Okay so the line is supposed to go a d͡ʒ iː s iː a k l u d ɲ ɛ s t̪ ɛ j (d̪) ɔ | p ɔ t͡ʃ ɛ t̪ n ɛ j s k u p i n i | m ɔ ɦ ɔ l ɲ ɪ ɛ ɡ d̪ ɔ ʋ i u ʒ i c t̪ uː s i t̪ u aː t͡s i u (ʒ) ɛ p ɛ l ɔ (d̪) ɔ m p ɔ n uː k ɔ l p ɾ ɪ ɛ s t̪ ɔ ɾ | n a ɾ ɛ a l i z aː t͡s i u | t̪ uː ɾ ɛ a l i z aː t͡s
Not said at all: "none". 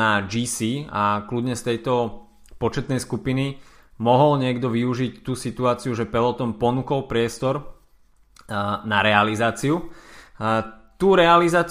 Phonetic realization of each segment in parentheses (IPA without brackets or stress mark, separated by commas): t̪, ʒ, t̪